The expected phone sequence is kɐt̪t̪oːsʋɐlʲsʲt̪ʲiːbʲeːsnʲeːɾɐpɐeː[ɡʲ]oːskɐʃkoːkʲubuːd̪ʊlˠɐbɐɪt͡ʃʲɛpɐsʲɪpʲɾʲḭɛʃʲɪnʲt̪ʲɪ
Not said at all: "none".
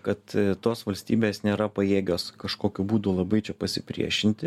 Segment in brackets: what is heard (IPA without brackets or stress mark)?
ɡʲ